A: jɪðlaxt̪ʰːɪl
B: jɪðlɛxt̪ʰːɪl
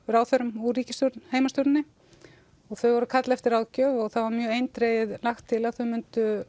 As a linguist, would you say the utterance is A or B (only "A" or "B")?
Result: A